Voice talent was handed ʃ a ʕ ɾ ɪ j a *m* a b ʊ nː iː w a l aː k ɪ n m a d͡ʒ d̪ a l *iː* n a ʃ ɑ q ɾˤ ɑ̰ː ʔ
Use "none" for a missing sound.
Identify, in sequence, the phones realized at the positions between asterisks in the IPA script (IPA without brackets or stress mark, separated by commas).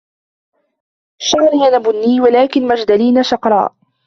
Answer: n, iː